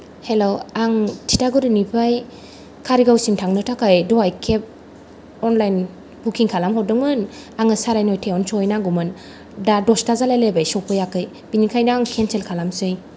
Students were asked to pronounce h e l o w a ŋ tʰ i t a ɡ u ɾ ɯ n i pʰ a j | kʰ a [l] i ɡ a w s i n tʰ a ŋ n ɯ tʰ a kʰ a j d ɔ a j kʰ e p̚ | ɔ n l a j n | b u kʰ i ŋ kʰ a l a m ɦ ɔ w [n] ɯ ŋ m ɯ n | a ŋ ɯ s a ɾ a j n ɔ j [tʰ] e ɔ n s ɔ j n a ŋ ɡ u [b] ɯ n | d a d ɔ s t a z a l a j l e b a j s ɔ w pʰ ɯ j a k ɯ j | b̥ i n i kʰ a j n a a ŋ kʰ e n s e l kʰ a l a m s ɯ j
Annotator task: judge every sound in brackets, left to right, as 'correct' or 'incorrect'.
incorrect, incorrect, correct, incorrect

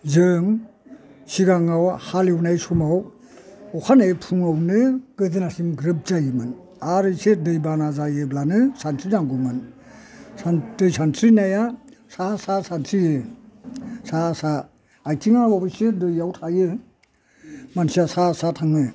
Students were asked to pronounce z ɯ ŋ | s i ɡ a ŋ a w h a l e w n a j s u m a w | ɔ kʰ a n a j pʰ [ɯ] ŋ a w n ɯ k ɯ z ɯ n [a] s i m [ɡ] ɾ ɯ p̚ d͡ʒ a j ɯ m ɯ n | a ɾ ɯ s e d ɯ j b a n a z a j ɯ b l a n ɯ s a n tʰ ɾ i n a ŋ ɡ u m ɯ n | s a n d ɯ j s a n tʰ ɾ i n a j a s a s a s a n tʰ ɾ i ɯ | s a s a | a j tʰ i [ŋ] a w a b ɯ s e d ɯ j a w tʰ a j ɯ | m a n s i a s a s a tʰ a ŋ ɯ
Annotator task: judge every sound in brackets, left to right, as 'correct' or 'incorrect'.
incorrect, correct, correct, correct

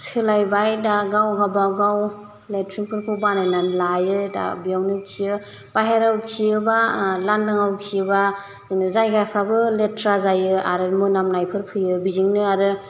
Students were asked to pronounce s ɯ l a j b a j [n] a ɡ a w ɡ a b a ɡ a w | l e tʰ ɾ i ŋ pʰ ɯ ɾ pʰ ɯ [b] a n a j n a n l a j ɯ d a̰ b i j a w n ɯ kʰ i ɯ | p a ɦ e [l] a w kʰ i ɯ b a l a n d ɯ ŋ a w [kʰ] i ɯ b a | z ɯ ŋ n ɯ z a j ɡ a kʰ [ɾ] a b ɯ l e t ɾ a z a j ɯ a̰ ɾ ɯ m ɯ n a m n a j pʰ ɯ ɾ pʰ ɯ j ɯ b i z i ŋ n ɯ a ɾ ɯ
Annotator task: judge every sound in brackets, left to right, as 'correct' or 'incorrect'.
incorrect, correct, incorrect, correct, correct

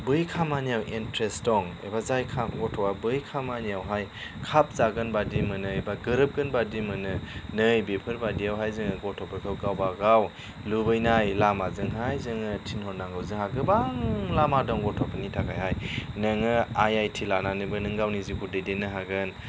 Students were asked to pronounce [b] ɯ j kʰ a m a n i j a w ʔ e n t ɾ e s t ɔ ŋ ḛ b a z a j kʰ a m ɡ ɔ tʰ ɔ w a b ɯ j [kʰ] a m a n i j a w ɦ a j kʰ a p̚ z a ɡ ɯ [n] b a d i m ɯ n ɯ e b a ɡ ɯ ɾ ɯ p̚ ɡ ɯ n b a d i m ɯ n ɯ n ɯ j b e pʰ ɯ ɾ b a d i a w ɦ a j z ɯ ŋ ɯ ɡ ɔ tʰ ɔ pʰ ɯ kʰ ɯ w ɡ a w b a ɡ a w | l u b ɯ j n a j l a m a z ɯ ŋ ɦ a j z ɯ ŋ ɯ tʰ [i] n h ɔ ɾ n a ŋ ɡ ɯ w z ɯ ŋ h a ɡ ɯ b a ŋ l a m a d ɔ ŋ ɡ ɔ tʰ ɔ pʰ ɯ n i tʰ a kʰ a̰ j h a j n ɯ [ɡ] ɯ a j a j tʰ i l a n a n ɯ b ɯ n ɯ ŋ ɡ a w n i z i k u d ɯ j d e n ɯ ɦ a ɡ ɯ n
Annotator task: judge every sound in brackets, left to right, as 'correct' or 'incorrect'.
correct, correct, correct, correct, incorrect

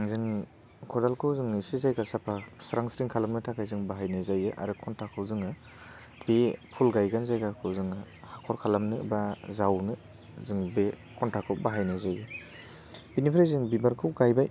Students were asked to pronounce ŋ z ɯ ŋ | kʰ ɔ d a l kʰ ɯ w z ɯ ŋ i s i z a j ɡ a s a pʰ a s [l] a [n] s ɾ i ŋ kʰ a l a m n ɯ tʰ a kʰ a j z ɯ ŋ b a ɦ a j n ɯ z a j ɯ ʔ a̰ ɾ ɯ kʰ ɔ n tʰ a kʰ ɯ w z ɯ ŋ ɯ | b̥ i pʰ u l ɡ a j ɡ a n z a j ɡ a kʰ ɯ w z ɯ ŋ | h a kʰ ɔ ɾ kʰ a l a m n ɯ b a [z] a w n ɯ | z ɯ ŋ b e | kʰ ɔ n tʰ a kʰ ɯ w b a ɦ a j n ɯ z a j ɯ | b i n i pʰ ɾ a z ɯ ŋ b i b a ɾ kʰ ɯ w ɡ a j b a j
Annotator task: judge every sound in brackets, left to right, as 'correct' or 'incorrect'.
incorrect, incorrect, correct

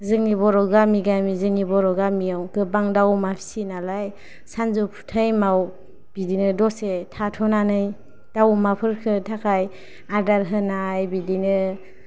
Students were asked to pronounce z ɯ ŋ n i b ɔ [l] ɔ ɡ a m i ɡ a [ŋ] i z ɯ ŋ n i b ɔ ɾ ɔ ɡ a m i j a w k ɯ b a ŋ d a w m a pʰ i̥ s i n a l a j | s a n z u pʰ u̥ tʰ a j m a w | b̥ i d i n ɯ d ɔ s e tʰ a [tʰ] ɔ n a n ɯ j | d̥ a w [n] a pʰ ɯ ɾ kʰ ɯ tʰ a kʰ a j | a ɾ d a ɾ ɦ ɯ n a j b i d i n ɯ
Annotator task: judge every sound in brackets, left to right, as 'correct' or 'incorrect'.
incorrect, incorrect, correct, incorrect

